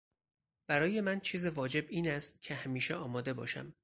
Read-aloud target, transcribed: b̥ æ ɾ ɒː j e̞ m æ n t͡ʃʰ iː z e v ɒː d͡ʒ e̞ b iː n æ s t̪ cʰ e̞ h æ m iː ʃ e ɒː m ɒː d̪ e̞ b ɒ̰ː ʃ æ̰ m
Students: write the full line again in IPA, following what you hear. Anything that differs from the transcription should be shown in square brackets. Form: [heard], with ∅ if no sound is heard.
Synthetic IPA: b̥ æ ɾ ɒː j e̞ m æ n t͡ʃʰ iː z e v ɒː d͡ʒ e̞ b iː n æ s t̪ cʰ e̞ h æ m iː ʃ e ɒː m ɒː d̪ e̞ b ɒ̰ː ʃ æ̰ m